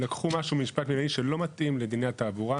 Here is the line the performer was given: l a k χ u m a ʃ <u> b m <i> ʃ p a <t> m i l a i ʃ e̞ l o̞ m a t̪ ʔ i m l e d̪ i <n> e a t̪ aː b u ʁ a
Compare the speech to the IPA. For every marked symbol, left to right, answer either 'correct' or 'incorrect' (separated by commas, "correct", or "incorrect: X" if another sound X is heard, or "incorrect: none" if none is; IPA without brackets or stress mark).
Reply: correct, correct, correct, correct